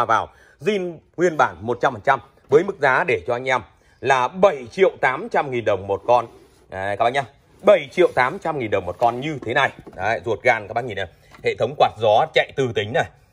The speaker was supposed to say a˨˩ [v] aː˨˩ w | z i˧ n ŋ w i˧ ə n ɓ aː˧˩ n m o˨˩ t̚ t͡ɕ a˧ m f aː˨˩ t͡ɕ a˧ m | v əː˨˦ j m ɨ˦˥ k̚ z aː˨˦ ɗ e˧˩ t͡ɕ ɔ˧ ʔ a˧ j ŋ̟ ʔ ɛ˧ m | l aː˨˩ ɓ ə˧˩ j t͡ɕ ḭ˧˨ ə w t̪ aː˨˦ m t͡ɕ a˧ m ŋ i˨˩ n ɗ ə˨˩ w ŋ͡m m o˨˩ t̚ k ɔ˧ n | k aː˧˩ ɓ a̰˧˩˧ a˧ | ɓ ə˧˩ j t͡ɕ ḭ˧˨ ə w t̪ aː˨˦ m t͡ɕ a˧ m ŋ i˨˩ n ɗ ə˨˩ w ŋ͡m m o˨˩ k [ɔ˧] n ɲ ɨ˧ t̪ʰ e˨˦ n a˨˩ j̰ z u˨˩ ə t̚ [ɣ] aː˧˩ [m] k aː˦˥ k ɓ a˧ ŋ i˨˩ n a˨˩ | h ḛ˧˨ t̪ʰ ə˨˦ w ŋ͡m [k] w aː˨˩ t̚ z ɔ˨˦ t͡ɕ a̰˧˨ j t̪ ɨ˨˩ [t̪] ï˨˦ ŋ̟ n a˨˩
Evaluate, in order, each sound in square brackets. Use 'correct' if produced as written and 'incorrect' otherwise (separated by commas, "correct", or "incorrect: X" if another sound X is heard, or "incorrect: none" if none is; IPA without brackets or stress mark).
correct, correct, correct, incorrect: n, correct, correct